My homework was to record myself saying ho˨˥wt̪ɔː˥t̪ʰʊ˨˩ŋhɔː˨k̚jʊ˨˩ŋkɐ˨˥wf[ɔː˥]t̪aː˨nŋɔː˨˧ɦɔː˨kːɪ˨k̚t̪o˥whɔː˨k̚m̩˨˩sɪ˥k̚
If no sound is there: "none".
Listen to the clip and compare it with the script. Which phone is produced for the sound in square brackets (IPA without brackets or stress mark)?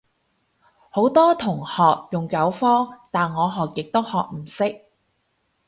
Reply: ɔː˥